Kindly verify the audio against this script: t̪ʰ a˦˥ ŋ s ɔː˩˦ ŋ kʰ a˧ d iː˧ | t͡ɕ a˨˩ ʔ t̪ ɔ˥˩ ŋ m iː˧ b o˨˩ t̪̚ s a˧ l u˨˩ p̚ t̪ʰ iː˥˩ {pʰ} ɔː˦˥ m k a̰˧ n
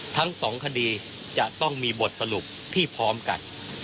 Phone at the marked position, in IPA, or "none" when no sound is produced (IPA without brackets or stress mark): pʰ